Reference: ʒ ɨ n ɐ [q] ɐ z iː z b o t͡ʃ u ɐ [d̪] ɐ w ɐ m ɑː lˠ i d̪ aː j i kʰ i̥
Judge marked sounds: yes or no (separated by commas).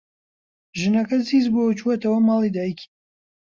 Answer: no, no